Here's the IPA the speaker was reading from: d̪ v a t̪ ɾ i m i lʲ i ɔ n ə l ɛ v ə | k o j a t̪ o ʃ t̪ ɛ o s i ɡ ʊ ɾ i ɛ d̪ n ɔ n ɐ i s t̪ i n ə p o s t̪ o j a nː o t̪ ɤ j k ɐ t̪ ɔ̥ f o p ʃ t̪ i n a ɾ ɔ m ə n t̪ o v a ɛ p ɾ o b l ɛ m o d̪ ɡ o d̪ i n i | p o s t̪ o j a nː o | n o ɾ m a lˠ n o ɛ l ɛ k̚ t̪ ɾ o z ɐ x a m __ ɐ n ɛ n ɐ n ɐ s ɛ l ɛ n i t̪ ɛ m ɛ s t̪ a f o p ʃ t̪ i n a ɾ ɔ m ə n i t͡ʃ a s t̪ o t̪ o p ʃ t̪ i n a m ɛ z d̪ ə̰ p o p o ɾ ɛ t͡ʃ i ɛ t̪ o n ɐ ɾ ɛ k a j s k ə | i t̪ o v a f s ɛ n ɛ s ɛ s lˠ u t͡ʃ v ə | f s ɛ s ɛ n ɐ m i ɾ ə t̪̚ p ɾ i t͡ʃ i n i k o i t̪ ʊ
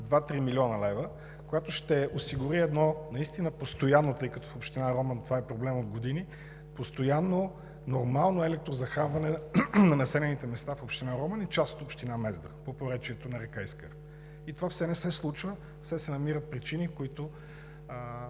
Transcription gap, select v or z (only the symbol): v